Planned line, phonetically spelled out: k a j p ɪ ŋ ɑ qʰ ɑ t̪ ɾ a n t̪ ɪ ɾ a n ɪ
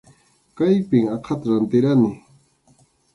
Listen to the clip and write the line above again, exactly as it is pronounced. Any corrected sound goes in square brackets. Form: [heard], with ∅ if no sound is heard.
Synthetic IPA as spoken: k a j p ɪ ŋ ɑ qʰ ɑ t̪ ɾ a n t̪ ɪ ɾ a n ɪ